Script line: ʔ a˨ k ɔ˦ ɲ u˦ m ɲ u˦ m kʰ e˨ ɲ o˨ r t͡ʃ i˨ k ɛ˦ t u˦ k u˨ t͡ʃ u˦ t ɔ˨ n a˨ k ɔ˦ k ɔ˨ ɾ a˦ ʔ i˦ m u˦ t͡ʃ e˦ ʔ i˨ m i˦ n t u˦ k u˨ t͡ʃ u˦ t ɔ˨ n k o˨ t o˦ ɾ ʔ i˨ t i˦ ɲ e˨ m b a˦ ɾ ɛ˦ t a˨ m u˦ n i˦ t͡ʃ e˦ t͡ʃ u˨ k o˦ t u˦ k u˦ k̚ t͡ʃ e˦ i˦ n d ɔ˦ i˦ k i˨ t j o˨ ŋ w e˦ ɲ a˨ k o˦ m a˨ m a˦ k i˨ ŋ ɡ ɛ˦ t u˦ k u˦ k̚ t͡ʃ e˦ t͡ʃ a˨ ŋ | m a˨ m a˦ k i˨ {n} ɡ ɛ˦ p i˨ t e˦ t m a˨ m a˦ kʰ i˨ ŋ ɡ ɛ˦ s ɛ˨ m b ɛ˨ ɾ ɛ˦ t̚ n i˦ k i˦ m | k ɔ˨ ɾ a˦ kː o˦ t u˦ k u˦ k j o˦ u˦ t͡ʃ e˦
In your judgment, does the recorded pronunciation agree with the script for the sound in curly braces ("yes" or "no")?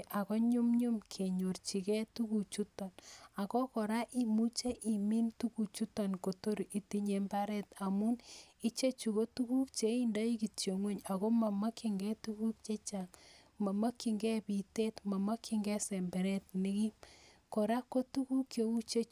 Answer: no